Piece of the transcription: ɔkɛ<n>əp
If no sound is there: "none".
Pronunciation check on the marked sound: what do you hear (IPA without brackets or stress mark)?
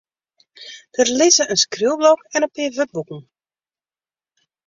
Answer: n